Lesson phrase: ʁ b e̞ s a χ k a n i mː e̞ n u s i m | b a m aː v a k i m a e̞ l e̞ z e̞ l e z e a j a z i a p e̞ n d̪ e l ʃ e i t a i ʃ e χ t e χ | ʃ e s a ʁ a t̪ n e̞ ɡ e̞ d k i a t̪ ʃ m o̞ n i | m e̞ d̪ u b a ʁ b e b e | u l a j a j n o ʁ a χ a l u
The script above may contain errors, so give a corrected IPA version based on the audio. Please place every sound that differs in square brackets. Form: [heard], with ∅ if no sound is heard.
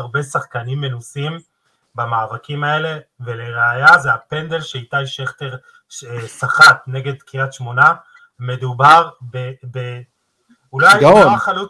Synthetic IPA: ʁ b e̞ s a χ k a n i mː e̞ n u s i m | b a m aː v a k i m a e̞ l e̞ [v] e̞ l e [ʁ] e a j a z [e] a p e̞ n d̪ e l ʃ e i t a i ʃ e χ t e [ʁ] | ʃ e s a [χ] a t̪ n e̞ ɡ e̞ d k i a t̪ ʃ m o̞ n [a] | m e̞ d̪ u b a ʁ b e b e | u l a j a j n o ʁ a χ a l u